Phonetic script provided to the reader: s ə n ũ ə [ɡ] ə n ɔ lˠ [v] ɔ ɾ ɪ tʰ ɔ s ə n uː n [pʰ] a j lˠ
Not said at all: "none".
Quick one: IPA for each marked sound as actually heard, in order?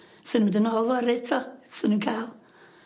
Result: d, v, kʰ

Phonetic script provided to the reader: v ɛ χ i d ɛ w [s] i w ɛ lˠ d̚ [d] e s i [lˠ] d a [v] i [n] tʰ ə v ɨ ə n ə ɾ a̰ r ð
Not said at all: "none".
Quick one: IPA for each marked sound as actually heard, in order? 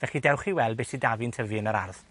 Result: χ, b, none, v, n

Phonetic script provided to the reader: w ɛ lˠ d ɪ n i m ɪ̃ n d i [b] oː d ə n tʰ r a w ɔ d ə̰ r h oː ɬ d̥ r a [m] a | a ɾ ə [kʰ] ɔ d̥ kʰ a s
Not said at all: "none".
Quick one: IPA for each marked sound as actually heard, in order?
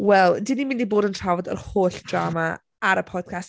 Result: b, m, pʰ

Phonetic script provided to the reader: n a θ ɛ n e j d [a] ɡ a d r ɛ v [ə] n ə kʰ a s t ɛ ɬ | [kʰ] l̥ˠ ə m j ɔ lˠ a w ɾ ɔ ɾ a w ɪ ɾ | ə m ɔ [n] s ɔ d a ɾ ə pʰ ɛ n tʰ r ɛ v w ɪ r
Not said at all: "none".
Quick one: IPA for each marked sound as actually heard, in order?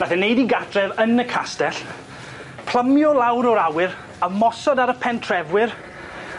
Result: i, ə, pʰ, none

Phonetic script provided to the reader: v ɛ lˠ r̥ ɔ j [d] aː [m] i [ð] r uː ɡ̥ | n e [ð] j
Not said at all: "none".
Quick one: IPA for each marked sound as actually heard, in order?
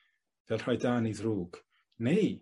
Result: d, n, ð, none

